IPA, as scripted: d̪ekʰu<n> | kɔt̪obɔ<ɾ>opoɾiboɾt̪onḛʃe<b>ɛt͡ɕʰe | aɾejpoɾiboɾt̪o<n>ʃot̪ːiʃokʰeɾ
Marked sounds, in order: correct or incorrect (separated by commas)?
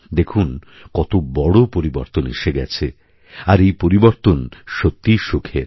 correct, incorrect, incorrect, correct